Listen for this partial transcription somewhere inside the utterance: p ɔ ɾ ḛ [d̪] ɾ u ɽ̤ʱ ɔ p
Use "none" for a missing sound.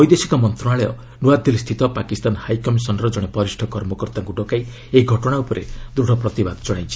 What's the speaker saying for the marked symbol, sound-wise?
d̪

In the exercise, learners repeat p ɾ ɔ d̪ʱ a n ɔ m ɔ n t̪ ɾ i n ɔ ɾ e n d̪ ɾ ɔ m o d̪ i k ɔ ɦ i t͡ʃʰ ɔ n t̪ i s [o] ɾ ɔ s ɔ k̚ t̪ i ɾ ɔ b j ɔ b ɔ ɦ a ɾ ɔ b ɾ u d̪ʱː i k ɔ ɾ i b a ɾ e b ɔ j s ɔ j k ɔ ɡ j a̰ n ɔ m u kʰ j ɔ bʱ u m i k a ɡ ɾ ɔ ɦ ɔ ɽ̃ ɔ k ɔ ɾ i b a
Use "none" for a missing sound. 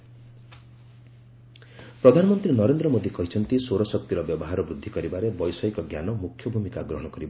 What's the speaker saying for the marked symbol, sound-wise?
o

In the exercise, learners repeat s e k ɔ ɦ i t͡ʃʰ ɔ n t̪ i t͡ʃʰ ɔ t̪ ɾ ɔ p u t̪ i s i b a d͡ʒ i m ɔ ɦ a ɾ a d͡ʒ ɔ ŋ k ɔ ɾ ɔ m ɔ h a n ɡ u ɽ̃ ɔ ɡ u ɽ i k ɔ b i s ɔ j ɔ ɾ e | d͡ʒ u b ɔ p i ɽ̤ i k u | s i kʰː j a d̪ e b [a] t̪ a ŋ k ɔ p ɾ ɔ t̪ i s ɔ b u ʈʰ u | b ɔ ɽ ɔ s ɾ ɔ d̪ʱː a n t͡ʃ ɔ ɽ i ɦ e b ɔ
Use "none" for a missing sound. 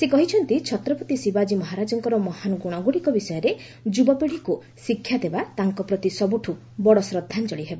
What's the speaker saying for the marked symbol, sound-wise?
a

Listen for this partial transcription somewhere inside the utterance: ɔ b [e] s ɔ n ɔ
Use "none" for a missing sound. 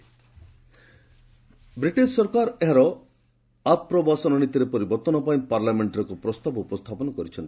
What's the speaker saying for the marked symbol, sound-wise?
a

